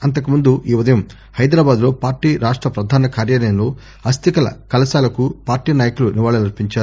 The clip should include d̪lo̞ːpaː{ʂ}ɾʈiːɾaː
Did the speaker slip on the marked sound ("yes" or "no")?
yes